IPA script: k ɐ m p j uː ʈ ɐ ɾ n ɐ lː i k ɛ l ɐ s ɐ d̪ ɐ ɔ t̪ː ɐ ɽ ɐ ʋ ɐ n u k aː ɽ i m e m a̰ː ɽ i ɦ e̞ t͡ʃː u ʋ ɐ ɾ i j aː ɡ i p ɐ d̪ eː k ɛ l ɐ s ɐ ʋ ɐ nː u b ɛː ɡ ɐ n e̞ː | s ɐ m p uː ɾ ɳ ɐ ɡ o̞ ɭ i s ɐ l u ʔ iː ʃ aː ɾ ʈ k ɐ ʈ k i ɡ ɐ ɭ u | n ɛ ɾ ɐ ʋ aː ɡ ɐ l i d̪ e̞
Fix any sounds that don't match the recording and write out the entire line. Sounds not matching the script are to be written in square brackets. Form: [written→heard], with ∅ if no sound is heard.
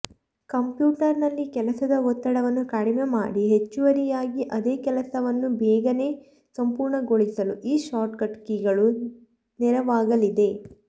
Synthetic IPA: k ɐ m p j uː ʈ ɐ ɾ n ɐ lː i k ɛ l ɐ s ɐ d̪ ɐ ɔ t̪ː ɐ ɽ ɐ ʋ ɐ [n→nː] u k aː ɽ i m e m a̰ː ɽ i ɦ e̞ t͡ʃː u ʋ ɐ ɾ i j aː ɡ i [p→ʔ] ɐ d̪ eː k ɛ l ɐ s ɐ ʋ ɐ nː u b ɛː ɡ ɐ n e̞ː | s ɐ m p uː ɾ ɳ ɐ ɡ o̞ ɭ i s ɐ l u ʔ iː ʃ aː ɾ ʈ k ɐ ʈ k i ɡ ɐ ɭ u | n ɛ ɾ ɐ ʋ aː ɡ ɐ l i d̪ e̞

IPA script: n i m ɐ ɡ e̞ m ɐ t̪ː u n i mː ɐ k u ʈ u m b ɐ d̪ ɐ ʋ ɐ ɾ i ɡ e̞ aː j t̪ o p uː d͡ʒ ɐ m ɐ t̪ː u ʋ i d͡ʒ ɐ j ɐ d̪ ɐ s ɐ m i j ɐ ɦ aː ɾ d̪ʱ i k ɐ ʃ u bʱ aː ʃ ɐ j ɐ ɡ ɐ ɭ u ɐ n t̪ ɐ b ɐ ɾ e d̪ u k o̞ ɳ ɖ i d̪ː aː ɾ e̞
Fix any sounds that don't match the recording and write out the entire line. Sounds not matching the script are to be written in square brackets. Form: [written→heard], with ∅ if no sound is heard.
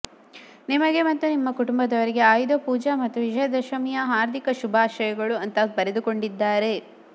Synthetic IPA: n i m ɐ ɡ e̞ m ɐ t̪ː u n i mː ɐ k u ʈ u m b ɐ d̪ ɐ ʋ ɐ ɾ i ɡ e̞ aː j [t̪→d̪] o p uː d͡ʒ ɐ m ɐ t̪ː u ʋ i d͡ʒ ɐ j ɐ d̪ ɐ [s→ʃ] ɐ m i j ɐ ɦ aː ɾ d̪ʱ i k ɐ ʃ u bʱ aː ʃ ɐ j ɐ ɡ ɐ ɭ u ɐ n t̪ ɐ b ɐ ɾ e d̪ u k o̞ ɳ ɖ i d̪ː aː ɾ e̞

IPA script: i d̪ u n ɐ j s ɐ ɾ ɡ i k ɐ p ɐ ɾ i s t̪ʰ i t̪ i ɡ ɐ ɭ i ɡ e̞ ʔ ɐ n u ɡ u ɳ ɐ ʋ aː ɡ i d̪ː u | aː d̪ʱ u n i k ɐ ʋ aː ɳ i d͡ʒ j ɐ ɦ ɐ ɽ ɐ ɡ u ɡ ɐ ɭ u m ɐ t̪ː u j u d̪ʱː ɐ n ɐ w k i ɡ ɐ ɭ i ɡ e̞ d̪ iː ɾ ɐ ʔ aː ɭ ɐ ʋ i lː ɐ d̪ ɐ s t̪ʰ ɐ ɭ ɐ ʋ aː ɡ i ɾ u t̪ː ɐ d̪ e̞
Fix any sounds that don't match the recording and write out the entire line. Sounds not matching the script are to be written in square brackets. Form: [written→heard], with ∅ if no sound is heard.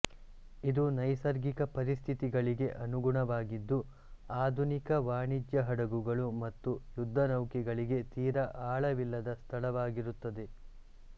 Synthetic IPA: i d̪ u n ɐ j s ɐ ɾ ɡ i k ɐ p ɐ ɾ i s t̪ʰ i t̪ i ɡ ɐ ɭ i ɡ e̞ ʔ ɐ n u ɡ u ɳ ɐ ʋ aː ɡ i d̪ː u | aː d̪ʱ u n i k ɐ ʋ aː ɳ i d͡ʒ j ɐ ɦ ɐ ɽ ɐ ɡ u ɡ ɐ ɭ u m ɐ t̪ː u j u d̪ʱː ɐ n ɐ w k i ɡ ɐ ɭ i ɡ e̞ [d̪→t̪] iː ɾ ɐ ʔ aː ɭ ɐ ʋ i lː ɐ d̪ ɐ s t̪ʰ ɐ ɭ ɐ ʋ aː ɡ i ɾ u t̪ː ɐ d̪ e̞

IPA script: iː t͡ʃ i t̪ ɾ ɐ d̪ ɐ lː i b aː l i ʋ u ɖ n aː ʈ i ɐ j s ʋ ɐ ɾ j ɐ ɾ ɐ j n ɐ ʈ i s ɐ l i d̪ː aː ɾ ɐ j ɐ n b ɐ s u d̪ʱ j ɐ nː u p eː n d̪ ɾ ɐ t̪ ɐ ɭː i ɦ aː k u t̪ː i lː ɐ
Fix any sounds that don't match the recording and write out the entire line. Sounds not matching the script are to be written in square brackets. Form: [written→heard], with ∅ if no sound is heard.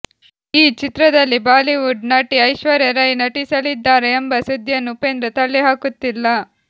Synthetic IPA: iː t͡ʃ i t̪ ɾ ɐ d̪ ɐ lː i b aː l i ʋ u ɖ n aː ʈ i ɐ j [s→ʃ] ʋ ɐ ɾ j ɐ ɾ ɐ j n ɐ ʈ i s ɐ l i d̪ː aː ɾ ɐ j ɐ [n→m] b ɐ s u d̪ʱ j ɐ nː u p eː n d̪ ɾ ɐ t̪ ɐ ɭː i ɦ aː k u t̪ː i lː ɐ

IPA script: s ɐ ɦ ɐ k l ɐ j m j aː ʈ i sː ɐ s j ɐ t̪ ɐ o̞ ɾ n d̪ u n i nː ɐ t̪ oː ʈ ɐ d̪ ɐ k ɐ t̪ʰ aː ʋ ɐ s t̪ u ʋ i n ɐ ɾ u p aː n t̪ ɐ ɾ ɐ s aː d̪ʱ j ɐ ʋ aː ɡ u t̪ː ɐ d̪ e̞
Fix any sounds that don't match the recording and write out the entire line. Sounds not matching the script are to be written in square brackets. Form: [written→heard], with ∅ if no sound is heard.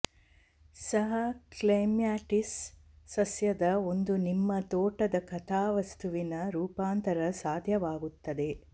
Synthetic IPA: s ɐ ɦ ɐ k l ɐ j m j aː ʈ i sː ɐ s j ɐ [t̪→d̪] ɐ o̞ [ɾ→∅] n d̪ u n i [nː→mː] ɐ t̪ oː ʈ ɐ d̪ ɐ k ɐ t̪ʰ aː ʋ ɐ s t̪ u ʋ i n ɐ ɾ [u→uː] p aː n t̪ ɐ ɾ ɐ s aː d̪ʱ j ɐ ʋ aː ɡ u t̪ː ɐ d̪ e̞

